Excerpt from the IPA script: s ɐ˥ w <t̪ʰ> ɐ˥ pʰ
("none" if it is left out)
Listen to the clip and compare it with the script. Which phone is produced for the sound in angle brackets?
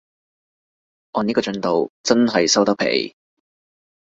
t̪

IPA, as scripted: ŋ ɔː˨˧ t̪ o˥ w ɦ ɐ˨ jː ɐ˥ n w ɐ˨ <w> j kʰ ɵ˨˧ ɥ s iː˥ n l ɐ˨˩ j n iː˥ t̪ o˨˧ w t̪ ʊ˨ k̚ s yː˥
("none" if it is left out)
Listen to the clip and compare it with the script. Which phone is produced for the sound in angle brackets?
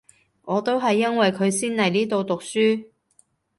none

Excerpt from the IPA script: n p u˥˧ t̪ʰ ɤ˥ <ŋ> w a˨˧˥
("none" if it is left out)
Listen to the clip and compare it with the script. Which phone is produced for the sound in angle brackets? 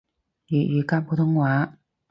ŋ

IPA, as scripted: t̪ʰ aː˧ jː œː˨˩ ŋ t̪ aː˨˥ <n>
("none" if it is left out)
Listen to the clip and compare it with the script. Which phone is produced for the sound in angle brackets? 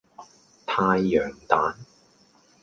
n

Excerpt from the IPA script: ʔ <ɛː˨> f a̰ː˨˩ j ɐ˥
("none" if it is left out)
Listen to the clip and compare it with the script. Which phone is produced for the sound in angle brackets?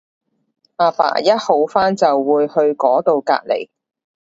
aː˨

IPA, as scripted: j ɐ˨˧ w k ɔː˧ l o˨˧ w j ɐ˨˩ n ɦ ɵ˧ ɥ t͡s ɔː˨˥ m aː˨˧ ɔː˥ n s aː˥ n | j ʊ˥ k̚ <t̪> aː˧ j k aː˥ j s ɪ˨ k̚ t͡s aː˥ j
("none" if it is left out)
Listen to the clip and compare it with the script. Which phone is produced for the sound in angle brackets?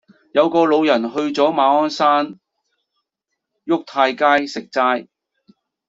t̪ʰ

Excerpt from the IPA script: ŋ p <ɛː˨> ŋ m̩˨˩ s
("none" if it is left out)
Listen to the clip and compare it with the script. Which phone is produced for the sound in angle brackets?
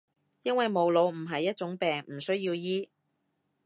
ɛː˨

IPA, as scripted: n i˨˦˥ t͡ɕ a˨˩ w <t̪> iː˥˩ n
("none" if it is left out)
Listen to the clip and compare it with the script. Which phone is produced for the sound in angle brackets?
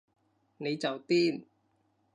t̪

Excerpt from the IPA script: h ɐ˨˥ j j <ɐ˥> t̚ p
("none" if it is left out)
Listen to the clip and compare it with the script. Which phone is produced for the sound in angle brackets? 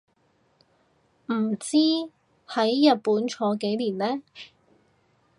ɐ˨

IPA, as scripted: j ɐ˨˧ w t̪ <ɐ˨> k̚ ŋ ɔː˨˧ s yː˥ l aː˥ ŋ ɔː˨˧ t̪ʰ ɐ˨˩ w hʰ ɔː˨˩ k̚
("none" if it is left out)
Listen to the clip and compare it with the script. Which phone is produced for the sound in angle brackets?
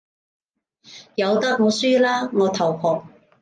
ɐ˥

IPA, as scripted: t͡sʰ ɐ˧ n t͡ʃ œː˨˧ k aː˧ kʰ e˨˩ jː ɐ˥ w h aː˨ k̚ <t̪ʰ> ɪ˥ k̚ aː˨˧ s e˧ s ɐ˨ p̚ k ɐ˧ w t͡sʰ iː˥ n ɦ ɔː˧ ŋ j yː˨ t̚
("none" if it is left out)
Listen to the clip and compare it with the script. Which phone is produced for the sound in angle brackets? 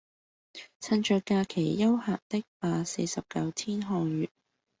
t̪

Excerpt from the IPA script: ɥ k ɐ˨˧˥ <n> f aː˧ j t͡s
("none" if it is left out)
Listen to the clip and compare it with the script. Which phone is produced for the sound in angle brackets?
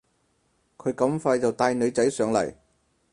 m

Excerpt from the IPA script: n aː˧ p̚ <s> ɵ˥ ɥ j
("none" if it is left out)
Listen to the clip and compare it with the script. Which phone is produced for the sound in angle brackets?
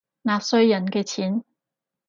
s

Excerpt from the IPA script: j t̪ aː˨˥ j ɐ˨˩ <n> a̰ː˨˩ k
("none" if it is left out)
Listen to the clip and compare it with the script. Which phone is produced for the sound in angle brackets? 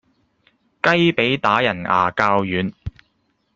n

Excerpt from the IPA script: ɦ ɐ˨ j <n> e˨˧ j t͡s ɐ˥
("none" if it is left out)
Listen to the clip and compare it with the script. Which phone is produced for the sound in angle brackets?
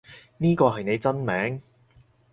n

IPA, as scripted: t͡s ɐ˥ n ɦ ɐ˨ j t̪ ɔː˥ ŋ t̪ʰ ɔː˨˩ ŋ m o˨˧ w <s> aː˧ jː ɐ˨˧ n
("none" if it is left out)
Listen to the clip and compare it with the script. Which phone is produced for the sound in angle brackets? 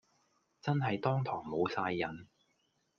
s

